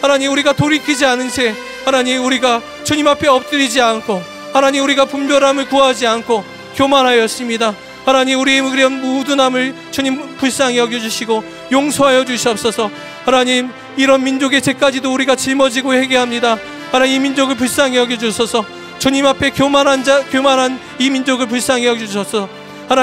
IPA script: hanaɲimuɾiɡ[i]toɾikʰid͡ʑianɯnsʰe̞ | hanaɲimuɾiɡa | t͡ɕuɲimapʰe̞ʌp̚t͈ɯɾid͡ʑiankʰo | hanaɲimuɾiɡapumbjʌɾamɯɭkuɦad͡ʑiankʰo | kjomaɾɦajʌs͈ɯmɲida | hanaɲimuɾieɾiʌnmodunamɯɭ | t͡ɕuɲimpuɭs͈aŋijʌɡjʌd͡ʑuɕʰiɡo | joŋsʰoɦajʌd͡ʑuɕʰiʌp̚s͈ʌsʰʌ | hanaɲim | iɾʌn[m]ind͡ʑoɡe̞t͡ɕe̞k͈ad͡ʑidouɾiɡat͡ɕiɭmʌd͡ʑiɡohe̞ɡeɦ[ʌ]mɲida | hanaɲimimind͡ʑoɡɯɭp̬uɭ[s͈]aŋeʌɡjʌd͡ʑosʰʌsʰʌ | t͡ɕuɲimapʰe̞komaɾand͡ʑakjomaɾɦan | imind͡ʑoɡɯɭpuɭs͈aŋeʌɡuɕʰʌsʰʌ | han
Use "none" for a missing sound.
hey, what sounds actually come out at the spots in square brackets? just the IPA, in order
a, m, a, s͈

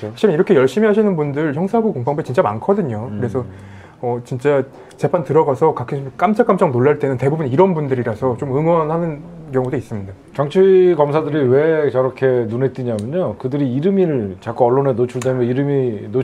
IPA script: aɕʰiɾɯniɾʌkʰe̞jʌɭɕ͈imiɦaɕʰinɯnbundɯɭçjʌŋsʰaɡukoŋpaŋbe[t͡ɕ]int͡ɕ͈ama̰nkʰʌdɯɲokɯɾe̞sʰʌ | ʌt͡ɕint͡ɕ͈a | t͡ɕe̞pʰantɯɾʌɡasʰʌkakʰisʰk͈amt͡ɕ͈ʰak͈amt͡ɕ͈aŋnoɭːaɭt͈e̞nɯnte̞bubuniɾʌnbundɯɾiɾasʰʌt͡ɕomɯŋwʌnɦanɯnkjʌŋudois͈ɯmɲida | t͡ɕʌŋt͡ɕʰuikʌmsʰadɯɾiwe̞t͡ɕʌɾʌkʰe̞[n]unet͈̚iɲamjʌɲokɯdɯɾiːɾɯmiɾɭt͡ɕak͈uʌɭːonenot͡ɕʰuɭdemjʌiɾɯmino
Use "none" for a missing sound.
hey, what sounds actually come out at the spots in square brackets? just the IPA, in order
t͡ɕ, n

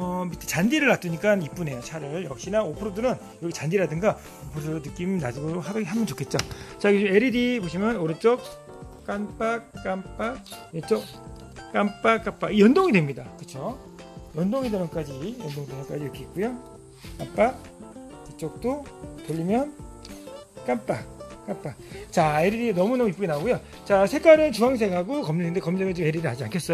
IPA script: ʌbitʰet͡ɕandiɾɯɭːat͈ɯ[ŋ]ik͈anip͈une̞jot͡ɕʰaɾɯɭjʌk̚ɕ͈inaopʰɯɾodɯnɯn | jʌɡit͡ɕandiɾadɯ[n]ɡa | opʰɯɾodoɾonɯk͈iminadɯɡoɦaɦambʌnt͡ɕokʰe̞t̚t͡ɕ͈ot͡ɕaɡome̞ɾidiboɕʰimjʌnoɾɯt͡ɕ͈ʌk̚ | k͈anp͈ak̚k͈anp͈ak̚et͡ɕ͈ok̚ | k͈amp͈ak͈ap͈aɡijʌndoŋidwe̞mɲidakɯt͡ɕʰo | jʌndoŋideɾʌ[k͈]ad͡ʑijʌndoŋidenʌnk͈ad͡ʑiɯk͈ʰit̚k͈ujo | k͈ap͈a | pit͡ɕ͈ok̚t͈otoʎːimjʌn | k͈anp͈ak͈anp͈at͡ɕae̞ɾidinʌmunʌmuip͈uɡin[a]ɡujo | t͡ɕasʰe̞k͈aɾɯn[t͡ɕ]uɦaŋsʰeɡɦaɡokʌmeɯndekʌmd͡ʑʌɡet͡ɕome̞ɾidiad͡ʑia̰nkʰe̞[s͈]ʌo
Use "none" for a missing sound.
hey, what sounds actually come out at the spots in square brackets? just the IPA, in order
ɲ, ŋ, k͈, a, t͡ɕ, s͈

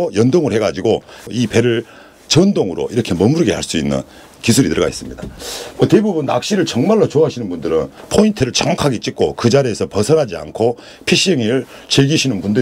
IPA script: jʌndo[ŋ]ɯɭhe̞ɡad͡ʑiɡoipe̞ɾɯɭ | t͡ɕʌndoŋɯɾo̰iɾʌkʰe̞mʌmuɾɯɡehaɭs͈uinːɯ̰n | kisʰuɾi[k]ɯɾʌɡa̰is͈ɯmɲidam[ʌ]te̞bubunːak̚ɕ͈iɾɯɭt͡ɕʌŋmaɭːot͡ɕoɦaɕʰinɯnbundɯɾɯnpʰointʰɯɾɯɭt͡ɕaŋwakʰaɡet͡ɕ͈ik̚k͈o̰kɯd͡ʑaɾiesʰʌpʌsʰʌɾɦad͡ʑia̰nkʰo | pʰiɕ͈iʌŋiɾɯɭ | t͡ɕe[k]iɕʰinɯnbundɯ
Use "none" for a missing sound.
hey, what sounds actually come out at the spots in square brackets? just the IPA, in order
ŋ, t, ʌ, ɡ

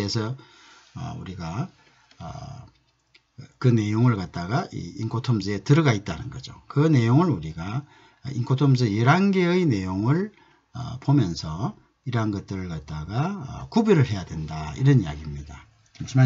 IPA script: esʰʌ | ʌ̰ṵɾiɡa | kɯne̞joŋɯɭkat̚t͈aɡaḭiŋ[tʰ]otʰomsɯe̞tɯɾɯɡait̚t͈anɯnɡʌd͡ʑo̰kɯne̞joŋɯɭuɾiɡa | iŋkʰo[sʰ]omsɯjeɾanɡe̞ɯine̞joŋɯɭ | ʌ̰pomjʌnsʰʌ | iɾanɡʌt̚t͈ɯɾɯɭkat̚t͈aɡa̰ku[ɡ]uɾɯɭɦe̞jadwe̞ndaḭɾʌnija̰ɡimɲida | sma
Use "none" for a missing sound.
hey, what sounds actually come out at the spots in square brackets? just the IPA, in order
kʰ, tʰ, b

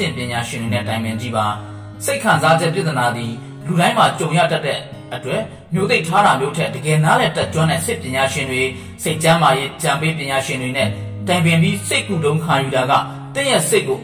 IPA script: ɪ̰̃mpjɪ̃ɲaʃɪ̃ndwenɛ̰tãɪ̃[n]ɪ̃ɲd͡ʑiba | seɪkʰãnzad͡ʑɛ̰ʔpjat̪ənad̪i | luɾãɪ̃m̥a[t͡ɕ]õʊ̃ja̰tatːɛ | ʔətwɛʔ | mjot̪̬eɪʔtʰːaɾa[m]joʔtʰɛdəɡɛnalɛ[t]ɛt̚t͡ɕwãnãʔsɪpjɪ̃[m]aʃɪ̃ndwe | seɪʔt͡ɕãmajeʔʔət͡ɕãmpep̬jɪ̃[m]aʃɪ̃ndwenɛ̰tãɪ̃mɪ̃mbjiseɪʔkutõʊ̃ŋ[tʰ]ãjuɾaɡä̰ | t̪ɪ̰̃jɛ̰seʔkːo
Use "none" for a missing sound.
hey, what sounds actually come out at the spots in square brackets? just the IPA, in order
m, t͡ɕ, m, t, ɲ, ɲ, kʰ

